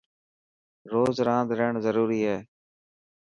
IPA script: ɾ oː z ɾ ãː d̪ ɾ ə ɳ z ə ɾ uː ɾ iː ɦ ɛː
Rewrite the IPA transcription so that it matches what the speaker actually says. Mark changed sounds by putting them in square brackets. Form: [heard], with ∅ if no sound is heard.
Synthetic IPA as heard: ɾ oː z ɾ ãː d̪ ɾ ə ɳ z ə ɾ uː ɾ iː ɦ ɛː